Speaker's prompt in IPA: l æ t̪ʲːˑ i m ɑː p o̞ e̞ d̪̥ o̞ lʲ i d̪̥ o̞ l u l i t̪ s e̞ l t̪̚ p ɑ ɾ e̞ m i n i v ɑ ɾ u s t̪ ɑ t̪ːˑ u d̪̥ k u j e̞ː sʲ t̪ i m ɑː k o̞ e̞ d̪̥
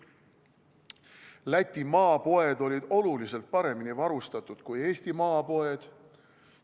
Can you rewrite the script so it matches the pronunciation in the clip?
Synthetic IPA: l æ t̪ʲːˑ i m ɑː p o̞ e̞ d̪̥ o̞ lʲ i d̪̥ o̞ l u l i s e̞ l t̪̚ p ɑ ɾ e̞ m i n i v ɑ ɾ u s t̪ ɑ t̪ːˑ u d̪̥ k u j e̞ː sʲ t̪ i m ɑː p o̞ e̞ d̪̥